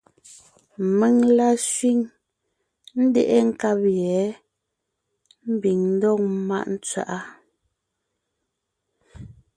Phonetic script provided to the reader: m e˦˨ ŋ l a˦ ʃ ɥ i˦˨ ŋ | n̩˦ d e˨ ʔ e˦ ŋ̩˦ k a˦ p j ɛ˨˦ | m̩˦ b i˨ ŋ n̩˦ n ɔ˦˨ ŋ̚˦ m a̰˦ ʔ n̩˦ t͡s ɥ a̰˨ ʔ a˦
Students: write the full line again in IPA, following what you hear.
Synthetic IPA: m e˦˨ ŋ l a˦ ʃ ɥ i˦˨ ŋ | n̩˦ d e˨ ʔ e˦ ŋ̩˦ k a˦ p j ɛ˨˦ | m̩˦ b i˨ ŋ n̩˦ d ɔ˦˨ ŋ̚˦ m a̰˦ ʔ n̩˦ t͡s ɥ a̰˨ ʔ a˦